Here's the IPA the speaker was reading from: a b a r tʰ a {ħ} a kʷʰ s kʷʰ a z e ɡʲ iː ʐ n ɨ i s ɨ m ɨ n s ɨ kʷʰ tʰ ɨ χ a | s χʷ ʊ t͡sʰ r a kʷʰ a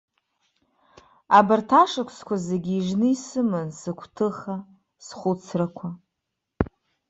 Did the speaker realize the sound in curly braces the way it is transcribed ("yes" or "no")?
no